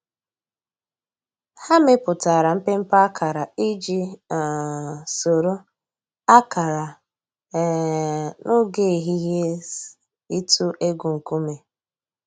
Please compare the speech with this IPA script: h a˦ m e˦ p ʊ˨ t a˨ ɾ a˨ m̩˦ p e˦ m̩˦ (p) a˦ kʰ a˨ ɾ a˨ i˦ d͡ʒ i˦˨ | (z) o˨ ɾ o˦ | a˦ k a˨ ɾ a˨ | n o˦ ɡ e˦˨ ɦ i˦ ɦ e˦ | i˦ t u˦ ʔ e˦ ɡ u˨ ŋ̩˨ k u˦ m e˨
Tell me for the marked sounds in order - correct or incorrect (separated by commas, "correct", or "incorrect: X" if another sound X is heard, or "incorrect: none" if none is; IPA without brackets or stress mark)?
correct, incorrect: s